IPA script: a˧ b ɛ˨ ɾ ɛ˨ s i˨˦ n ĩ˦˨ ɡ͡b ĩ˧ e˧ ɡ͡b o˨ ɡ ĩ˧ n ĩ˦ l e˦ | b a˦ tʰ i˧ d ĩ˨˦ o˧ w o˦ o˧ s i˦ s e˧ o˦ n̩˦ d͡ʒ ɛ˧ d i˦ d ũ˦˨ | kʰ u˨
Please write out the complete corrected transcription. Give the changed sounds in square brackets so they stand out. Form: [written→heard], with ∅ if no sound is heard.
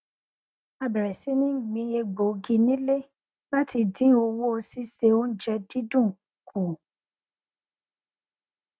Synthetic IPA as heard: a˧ b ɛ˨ ɾ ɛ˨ s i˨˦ n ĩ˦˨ ɡ͡b ĩ˧ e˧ ɡ͡b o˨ ɡ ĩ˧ n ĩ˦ l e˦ | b a˦ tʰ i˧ d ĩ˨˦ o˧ w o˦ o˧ s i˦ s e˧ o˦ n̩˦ d͡ʒ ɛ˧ d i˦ d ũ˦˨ | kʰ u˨

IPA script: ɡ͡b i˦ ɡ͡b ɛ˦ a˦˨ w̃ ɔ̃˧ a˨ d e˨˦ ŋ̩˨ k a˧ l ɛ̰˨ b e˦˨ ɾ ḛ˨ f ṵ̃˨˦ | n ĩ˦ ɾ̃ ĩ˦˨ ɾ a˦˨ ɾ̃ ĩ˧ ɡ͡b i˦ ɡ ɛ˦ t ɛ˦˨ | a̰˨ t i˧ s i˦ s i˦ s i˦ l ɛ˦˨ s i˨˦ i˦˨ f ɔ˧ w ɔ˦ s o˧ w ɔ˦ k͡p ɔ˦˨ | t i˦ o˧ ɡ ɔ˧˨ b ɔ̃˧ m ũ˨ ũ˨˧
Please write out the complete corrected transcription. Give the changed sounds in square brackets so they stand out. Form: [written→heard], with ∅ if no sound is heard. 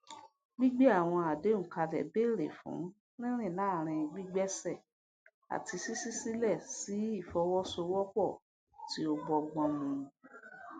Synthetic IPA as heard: ɡ͡b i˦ ɡ͡b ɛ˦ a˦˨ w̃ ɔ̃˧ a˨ d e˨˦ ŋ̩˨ k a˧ l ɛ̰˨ b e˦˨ ɾ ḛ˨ f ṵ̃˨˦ | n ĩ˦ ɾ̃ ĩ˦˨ [ɾ→l] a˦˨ ɾ̃ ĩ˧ ɡ͡b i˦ [ɡ→ɡ͡b] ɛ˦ [t→s] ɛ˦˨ | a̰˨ t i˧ s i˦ s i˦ s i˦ l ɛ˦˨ s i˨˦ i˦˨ f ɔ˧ w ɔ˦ s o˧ w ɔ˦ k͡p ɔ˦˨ | t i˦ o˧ [ɡ→ɡ͡b] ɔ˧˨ [b→ɡ͡b] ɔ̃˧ m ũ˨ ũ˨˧

